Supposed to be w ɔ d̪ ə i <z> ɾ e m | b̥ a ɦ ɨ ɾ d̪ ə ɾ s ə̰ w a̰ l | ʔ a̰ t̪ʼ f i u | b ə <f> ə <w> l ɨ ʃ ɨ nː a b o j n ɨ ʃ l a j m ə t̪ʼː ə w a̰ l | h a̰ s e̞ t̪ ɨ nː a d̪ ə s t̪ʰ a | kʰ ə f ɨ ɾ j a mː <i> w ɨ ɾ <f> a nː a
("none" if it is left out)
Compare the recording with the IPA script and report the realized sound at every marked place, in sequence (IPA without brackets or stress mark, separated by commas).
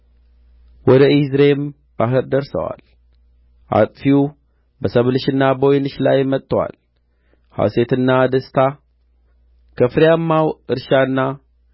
z, s, β, a, ʃ